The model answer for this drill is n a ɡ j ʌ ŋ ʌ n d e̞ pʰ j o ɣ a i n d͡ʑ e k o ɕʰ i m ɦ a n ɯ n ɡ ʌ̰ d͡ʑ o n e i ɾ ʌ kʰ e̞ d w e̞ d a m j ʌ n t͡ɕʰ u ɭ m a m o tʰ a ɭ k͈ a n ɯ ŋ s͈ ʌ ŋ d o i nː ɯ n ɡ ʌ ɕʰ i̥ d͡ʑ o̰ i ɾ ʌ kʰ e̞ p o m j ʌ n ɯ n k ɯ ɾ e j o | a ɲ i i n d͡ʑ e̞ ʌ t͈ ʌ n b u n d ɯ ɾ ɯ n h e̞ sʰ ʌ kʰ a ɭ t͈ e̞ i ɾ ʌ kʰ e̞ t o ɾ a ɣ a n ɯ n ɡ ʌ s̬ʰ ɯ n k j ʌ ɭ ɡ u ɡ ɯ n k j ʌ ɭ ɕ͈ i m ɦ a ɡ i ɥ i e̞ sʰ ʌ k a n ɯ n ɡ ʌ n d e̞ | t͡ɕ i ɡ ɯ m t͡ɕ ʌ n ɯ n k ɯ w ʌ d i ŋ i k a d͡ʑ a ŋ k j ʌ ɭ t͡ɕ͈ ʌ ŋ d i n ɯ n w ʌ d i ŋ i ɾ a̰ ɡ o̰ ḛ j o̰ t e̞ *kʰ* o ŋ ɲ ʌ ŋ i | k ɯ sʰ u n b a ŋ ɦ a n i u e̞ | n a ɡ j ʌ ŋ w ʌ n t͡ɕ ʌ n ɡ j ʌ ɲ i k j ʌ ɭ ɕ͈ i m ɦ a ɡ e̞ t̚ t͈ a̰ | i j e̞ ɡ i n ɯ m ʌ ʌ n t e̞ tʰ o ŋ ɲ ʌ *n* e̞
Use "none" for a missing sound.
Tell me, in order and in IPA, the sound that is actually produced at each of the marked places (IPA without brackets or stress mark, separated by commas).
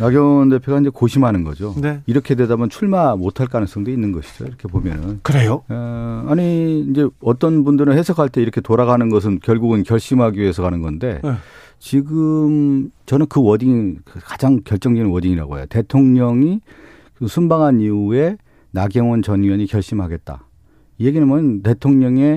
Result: tʰ, ŋ